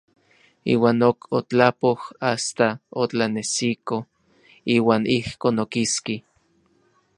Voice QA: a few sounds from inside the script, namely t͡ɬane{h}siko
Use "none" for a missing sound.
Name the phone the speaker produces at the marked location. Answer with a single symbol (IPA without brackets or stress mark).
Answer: none